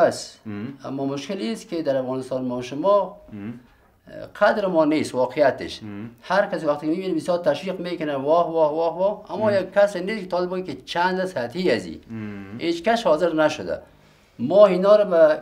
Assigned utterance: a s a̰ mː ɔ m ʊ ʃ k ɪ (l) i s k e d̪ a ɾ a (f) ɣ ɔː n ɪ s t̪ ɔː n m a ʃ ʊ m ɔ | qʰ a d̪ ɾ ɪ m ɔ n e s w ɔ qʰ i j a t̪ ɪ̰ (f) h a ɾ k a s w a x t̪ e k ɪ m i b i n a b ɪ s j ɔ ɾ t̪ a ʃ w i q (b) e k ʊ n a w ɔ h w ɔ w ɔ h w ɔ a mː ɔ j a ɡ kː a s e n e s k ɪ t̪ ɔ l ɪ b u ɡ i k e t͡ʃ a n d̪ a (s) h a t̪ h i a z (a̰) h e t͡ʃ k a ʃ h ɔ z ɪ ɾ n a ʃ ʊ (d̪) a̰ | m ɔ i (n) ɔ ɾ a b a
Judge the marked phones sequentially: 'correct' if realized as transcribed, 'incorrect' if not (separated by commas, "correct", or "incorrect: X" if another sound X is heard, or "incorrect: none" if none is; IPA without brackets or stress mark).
correct, correct, incorrect: ʃ, incorrect: m, correct, incorrect: ḭ, correct, correct